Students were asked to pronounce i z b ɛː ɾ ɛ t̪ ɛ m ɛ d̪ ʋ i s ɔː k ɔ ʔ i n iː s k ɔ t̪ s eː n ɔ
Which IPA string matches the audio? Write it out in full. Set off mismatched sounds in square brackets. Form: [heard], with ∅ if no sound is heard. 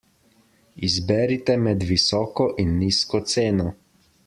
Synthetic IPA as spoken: i z b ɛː ɾ [i] t̪ ɛ m ɛ d̪ ʋ i s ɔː k ɔ ʔ i [nː] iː s k ɔ t̪ s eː n ɔ